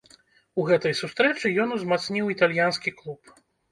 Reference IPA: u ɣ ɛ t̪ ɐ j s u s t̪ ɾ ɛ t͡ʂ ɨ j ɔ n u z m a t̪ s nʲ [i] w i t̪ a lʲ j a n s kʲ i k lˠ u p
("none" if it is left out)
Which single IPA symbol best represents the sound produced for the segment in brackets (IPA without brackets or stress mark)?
i